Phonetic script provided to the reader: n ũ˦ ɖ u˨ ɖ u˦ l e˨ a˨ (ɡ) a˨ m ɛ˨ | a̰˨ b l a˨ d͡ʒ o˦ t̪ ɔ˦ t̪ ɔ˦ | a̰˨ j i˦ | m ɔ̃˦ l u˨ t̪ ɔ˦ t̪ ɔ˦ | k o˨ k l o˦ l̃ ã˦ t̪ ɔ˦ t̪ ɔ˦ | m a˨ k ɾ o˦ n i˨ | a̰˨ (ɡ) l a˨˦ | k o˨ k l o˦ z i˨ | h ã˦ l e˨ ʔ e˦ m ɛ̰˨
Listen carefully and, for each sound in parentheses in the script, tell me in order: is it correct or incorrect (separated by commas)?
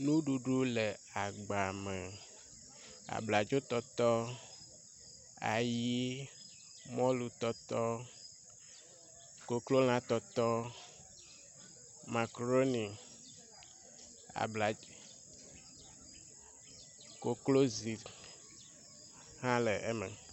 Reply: incorrect, incorrect